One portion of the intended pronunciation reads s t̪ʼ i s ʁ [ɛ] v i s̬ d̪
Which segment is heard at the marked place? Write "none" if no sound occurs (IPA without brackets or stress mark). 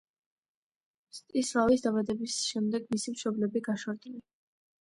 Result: a